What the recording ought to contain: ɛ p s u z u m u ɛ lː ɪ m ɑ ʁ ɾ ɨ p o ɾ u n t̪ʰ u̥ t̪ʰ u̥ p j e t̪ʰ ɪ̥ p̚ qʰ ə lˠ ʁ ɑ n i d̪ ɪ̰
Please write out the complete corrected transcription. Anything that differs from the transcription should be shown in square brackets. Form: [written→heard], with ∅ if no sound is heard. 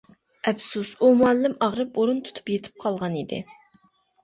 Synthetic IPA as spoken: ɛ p s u [z→s] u m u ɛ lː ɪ m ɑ ʁ ɾ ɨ p o ɾ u n t̪ʰ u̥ t̪ʰ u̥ p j e t̪ʰ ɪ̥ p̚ qʰ [ə→ɑ] lˠ ʁ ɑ n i d̪ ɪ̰